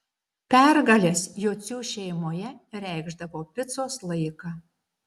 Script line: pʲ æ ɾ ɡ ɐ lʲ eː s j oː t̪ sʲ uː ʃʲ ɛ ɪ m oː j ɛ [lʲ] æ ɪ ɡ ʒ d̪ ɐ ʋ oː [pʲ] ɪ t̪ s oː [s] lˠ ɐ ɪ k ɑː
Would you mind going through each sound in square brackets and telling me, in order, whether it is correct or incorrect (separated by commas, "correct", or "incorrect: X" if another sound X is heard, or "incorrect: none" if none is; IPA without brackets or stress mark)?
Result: incorrect: ɾʲ, correct, correct